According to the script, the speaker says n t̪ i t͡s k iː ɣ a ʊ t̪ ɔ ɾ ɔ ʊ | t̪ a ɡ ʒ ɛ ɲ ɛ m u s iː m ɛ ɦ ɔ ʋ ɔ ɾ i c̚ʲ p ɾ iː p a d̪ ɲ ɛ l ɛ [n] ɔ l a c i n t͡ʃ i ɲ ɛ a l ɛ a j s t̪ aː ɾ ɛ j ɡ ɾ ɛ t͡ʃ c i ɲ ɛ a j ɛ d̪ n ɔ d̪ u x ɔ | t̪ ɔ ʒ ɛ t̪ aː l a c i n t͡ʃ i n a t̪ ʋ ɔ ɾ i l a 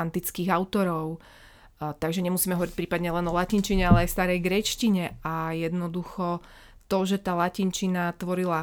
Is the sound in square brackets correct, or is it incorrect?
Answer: correct